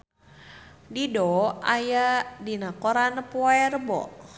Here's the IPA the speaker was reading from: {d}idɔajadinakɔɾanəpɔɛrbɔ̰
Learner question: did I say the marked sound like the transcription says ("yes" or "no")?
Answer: yes